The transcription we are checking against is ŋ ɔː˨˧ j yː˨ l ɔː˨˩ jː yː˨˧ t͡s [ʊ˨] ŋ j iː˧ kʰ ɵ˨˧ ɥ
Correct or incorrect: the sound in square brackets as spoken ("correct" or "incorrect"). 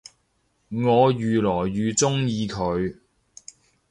incorrect